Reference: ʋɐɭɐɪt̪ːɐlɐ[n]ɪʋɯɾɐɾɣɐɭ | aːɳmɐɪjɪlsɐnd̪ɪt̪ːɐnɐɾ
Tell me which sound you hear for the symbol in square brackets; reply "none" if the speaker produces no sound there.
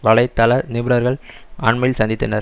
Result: n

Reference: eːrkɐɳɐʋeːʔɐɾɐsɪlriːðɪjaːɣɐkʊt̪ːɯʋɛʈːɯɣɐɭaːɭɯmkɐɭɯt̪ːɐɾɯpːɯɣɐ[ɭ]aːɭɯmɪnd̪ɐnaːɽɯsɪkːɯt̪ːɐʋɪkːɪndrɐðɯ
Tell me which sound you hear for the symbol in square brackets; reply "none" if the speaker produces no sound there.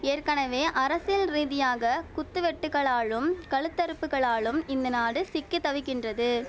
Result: ɭ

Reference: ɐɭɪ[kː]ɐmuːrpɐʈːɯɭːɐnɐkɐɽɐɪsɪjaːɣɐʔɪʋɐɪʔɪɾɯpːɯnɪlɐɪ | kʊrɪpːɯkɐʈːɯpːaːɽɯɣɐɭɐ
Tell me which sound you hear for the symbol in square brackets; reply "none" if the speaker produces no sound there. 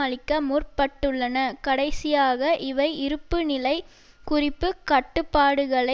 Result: kː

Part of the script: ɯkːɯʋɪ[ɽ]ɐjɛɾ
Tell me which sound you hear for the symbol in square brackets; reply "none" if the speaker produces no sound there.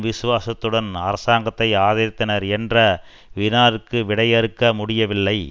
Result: ɽ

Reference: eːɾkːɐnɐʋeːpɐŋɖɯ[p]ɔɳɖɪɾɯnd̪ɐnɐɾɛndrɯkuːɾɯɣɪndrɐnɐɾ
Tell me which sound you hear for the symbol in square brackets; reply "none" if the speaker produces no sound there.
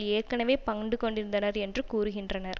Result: k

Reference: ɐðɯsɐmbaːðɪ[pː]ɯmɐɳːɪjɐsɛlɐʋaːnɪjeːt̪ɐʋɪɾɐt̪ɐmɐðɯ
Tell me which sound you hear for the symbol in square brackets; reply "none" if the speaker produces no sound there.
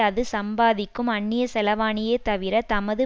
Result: kː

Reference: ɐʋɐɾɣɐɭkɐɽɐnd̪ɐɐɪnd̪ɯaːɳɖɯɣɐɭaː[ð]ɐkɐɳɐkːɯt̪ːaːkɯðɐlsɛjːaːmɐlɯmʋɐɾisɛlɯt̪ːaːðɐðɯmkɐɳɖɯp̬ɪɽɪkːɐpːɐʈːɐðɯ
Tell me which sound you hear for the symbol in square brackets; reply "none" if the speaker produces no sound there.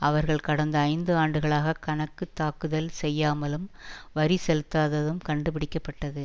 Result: ɣ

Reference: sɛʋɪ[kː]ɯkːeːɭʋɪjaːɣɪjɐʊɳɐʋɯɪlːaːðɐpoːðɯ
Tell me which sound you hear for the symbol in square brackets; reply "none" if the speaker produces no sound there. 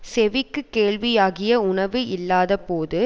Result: kː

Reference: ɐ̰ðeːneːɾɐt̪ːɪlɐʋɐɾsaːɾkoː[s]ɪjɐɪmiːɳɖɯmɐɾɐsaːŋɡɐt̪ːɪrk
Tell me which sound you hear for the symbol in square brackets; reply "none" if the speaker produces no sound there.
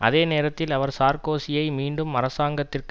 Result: s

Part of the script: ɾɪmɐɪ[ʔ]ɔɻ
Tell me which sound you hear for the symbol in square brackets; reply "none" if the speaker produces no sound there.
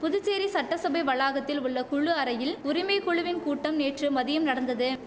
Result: k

